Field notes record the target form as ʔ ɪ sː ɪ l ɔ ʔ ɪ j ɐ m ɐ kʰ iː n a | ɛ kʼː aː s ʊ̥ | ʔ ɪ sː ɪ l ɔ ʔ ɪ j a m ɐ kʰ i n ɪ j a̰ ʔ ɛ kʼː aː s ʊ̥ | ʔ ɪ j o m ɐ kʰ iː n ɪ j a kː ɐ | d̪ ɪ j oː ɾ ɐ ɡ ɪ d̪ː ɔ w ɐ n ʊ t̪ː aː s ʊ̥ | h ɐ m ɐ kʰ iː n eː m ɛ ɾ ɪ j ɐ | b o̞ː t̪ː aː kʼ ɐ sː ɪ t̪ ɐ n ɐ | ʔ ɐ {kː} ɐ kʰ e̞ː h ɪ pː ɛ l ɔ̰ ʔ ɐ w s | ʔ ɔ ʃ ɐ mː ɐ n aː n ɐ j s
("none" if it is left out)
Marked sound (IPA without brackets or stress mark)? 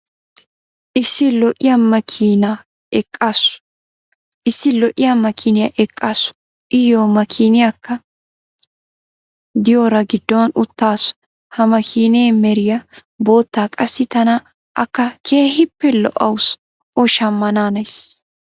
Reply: kː